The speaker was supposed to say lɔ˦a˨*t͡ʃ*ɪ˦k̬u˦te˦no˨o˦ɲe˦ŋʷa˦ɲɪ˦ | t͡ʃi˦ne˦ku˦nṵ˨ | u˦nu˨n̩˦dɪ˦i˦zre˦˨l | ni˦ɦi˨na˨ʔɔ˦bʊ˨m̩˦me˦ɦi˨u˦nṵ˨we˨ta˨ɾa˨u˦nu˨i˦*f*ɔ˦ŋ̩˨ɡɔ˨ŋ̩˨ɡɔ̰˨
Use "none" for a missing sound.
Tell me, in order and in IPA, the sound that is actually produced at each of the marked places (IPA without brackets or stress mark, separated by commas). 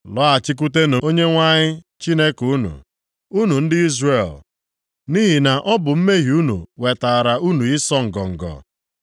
t͡ʃ, s